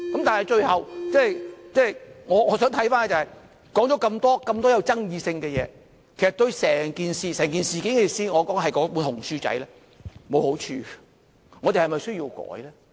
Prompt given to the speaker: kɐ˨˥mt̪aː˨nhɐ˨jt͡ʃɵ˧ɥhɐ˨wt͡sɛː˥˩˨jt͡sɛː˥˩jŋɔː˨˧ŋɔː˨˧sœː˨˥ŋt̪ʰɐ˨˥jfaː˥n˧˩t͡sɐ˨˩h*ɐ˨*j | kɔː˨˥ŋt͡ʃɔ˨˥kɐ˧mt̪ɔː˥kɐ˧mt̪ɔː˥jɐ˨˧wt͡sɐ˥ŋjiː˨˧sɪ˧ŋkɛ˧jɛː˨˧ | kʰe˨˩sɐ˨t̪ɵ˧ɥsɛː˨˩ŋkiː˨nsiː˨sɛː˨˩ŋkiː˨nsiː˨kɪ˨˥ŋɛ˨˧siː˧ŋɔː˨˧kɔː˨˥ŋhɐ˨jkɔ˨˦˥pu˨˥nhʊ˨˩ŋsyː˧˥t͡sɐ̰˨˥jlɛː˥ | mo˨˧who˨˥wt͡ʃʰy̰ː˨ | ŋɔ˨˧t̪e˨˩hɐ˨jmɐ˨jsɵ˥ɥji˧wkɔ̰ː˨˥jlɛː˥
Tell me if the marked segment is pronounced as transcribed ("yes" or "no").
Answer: yes